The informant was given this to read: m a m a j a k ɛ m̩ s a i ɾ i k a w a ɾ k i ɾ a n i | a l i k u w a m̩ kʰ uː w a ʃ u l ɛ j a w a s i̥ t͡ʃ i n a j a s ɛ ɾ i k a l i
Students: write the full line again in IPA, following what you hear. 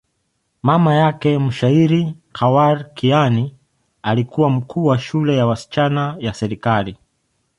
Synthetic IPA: m a m a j a k ɛ m̩ ʃ a i ɾ i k a w a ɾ k i a n i | a l i k u w a m̩ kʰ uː w a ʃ u l ɛ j a w a s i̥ t͡ʃ a n a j a s ɛ ɾ i k a l i